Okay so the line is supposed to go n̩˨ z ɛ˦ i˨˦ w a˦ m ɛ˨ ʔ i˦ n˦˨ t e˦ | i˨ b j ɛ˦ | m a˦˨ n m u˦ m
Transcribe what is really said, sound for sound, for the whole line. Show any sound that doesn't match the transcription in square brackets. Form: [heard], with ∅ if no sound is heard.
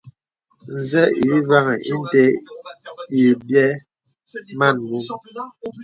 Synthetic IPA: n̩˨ z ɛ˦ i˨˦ [v] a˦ [ŋ] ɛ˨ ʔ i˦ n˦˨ t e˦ | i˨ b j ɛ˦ | m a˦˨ n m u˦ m